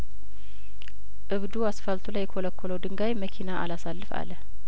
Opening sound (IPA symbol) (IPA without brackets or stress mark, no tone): ʔ